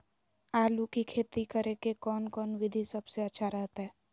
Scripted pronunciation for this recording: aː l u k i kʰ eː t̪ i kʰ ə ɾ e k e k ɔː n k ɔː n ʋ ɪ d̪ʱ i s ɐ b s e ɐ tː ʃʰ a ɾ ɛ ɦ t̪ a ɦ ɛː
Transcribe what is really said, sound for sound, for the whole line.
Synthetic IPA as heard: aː l u k i kʰ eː t̪ i k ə ɾ e k e k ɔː n k ɔː n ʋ ɪ d̪ʱ i s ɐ b s e ɐ tː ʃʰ a ɾ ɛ ɦ t̪ a ɦ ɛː